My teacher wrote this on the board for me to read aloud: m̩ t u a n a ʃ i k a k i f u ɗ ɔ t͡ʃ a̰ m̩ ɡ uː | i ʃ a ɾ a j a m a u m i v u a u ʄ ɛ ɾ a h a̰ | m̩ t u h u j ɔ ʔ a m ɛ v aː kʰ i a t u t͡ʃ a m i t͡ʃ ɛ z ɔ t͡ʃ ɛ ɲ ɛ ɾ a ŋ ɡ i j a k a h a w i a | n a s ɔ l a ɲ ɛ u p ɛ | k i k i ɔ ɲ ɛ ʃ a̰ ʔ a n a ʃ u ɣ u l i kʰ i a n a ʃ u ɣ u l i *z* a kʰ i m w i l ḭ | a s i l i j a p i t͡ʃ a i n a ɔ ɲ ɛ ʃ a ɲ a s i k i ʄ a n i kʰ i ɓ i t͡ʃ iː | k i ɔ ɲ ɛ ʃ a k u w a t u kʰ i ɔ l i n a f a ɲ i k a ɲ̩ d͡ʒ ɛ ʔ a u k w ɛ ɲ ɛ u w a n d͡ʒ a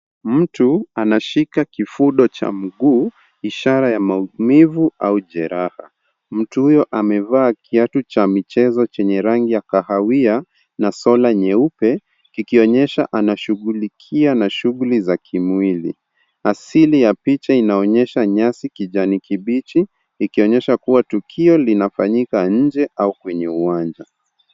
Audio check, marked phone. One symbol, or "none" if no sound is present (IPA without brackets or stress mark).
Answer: z